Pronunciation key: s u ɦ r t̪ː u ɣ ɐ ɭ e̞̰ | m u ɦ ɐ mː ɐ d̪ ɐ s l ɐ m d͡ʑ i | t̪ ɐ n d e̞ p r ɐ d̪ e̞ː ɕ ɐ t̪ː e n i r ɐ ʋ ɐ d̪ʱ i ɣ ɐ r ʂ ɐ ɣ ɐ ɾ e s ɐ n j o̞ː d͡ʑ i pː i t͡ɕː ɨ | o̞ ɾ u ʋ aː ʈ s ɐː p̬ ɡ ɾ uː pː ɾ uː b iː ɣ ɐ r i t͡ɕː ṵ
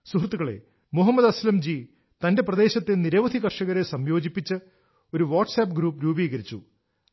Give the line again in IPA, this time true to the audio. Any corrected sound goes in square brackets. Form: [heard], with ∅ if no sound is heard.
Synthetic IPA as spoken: s u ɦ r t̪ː u ɣ ɐ ɭ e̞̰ | m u ɦ ɐ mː ɐ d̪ ɐ s l ɐ m d͡ʑ i | t̪ ɐ n d e̞ p r ɐ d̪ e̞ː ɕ ɐ t̪ː e n i [ɾ] ɐ ʋ ɐ d̪ʱ i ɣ ɐ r ʂ ɐ ɣ ɐ ɾ e s ɐ [m] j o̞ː d͡ʑ i pː i t͡ɕː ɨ | o̞ ɾ u ʋ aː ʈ s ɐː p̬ ɡ ɾ uː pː ɾ uː b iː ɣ ɐ [ɾ] i t͡ɕː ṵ